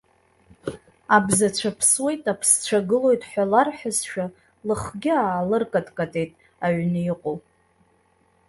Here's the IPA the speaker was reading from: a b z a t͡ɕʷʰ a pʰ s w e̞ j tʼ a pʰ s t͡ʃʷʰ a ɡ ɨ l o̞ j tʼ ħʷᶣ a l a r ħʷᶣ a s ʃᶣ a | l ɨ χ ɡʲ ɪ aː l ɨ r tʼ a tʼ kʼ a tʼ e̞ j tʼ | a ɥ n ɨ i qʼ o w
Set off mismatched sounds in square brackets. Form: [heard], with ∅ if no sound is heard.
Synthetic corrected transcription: a b z a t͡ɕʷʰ a pʰ s w e̞ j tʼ a pʰ s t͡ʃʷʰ a ɡ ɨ l o̞ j tʼ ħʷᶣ a l a r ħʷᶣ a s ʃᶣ a | l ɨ χ ɡʲ ɪ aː l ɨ r [kʼ] a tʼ kʼ a tʼ e̞ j tʼ | a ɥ n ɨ i qʼ o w